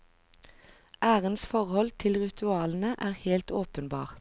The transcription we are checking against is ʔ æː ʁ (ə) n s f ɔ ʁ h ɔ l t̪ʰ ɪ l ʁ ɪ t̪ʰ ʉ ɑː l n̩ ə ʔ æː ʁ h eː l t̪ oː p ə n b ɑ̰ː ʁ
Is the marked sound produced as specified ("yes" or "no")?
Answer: yes